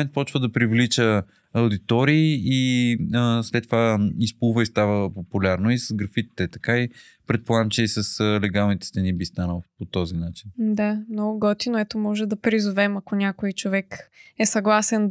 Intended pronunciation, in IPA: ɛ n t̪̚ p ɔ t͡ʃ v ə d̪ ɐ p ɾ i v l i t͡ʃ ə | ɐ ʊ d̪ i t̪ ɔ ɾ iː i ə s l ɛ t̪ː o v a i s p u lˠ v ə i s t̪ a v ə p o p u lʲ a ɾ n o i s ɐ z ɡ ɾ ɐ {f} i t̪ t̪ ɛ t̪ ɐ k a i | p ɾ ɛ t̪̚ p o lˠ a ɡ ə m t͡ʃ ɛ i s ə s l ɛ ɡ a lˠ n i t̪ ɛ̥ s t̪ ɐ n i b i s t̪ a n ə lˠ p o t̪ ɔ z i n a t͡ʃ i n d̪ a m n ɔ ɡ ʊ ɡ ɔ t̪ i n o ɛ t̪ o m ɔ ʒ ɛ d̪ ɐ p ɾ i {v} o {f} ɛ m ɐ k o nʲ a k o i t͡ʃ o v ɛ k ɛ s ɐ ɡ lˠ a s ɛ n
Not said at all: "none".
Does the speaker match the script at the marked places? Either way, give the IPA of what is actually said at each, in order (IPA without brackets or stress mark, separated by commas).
f, z, v